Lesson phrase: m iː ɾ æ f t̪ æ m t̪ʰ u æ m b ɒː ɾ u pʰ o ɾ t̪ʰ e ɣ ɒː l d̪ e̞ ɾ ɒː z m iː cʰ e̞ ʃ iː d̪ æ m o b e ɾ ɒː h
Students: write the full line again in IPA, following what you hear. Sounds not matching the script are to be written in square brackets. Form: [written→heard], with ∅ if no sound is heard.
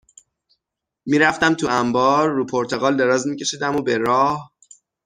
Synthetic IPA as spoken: m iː ɾ æ f t̪ æ m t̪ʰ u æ m b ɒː [ɾ→ɾː] u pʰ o ɾ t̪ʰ e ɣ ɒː l d̪ e̞ ɾ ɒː z m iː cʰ e̞ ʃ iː d̪ æ m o b e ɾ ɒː h